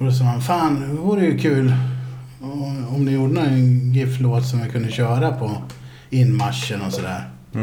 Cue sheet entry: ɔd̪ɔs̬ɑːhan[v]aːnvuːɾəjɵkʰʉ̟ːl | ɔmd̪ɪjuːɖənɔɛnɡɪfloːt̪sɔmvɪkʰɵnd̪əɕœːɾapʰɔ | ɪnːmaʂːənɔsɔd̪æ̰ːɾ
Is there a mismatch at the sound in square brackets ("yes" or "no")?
yes